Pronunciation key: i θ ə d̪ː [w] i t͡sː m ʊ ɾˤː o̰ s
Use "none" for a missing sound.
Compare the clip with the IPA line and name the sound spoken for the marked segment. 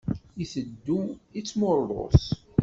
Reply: u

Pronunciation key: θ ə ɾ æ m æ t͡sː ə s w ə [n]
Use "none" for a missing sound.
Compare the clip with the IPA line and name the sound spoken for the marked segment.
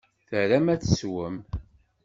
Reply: m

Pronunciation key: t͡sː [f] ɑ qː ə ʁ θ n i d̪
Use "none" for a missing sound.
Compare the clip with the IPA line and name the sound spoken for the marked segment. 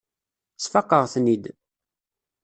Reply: f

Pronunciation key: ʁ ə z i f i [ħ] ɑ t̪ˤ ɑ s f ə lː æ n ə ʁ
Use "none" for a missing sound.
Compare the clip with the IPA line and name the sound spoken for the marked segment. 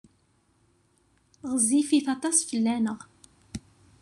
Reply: θ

